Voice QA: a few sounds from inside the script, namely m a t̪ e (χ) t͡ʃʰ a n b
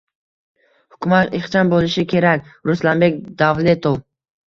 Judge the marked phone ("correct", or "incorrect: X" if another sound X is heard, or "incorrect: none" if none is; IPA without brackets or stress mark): correct